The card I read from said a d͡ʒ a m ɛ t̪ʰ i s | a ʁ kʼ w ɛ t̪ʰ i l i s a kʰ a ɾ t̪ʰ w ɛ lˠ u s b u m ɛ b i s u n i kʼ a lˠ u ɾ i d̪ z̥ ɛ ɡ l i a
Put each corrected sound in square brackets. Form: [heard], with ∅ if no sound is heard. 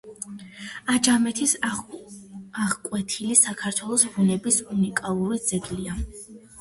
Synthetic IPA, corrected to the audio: a d͡ʒ a m ɛ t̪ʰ i s | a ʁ kʼ w ɛ t̪ʰ i l i s a kʰ a ɾ t̪ʰ w ɛ lˠ [ɔ] s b u [n] ɛ b i s u n i kʼ a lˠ u ɾ i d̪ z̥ ɛ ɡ l i a